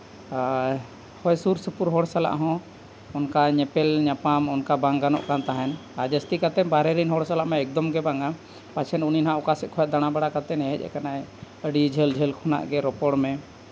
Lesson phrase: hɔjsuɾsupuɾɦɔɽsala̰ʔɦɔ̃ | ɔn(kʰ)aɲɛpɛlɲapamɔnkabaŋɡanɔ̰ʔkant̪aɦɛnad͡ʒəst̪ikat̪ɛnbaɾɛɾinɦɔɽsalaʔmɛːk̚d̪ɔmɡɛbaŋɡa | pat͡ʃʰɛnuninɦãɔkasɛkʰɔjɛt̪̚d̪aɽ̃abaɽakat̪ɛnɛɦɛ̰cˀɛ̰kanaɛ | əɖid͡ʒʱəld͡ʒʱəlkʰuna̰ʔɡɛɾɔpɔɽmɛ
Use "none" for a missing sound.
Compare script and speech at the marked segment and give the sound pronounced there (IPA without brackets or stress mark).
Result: k